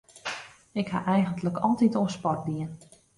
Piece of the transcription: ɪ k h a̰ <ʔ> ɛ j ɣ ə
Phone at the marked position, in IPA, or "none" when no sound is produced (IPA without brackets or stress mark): ʔ